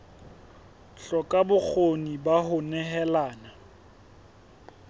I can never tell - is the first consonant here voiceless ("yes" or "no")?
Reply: yes